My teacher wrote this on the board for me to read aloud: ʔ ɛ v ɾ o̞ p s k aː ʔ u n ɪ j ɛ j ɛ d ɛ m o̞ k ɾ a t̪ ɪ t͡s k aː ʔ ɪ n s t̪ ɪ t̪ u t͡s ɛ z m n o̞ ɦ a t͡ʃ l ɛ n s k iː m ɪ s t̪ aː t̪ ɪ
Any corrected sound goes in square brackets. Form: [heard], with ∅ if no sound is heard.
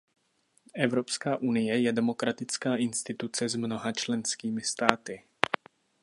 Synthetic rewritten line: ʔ ɛ v ɾ o̞ p s k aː ʔ u n ɪ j ɛ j ɛ d ɛ m o̞ k ɾ a t̪ ɪ t͡s k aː ʔ ɪ n s t̪ ɪ t̪ u t͡s ɛ z m n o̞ ɦ a t͡ʃ l ɛ n s k iː m ɪ s t̪ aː t̪ ɪ